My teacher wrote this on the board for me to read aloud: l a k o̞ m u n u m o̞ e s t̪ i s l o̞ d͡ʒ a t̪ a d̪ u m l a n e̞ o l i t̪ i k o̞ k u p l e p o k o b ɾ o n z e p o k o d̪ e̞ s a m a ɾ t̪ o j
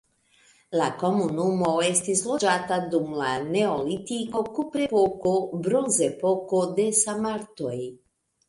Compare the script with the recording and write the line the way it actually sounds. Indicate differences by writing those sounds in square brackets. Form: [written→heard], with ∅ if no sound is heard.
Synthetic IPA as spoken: l a k o̞ m u n u m o̞ e s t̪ i s l o̞ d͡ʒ a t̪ a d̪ u m l a n e̞ o l i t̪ i k o̞ k u p [l→ɾ] e p o k o b ɾ o n z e p o k o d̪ e̞ s a m a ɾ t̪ o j